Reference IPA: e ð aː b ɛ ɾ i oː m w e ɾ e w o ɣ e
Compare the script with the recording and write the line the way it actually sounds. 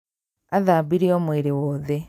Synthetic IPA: a ð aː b i ɾ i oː m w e ɾ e w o ð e